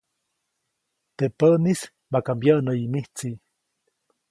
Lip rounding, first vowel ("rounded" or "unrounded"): unrounded